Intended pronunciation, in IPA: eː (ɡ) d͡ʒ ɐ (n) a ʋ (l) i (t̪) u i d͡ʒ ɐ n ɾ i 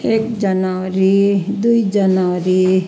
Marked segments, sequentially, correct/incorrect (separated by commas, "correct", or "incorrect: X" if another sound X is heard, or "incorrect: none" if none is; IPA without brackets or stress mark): incorrect: k, correct, incorrect: ɾ, incorrect: d̪